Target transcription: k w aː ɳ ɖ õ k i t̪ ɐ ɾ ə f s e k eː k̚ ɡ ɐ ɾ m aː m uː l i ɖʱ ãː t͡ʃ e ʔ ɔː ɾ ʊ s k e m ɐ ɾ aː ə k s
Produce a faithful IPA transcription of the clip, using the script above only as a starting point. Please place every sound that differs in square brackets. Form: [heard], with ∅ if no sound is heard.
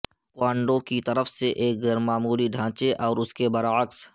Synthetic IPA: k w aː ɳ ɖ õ k i t̪ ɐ ɾ ə f s e [ʔ] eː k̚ ɡ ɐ ɾ m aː m uː l i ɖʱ ãː t͡ʃ e ʔ ɔː ɾ ʊ s k e [b] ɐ ɾ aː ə k s